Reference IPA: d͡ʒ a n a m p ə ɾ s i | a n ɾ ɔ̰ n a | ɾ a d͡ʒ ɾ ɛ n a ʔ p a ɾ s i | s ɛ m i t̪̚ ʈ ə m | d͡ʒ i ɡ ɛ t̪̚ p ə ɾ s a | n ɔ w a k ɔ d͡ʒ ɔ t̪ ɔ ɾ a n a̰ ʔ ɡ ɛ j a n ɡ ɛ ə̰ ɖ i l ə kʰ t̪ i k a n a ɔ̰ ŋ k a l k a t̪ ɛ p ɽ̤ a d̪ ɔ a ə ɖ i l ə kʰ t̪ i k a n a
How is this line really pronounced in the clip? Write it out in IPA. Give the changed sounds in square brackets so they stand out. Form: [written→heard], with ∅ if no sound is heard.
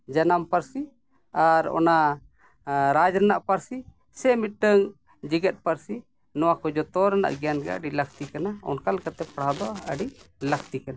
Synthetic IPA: d͡ʒ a n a m p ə ɾ s i | a [n→∅] ɾ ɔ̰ n a | ɾ a d͡ʒ ɾ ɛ n a ʔ p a ɾ s i | s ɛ m i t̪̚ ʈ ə [m→ŋ] | d͡ʒ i ɡ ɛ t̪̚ p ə ɾ s [a→i] | n ɔ w a k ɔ d͡ʒ ɔ t̪ ɔ ɾ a n a̰ ʔ ɡ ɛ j a n ɡ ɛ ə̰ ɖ i l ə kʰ t̪ i k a n a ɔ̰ [ŋ→n] k a l k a t̪ ɛ p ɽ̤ a d̪ ɔ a ə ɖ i l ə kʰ t̪ i k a n a